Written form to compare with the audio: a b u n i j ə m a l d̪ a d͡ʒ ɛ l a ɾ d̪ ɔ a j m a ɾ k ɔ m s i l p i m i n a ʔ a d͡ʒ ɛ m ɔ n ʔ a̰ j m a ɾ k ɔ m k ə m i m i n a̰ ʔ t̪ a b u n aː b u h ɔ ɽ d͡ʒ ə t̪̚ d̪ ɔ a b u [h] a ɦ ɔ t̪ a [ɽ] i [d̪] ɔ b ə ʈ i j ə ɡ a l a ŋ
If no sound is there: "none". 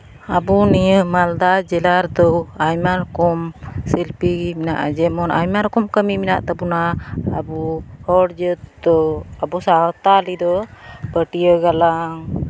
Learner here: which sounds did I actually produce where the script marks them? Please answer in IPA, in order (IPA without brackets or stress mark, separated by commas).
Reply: s, l, d̪